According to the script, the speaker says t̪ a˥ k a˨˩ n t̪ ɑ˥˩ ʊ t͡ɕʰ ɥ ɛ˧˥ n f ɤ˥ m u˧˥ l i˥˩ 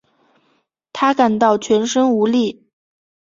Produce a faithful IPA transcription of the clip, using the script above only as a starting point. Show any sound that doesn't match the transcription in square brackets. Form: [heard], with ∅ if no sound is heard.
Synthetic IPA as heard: [t̪ʰ] a˥ k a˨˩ n t̪ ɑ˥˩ ʊ t͡ɕʰ ɥ ɛ˧˥ n [ʂ] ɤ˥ [ŋ] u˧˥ l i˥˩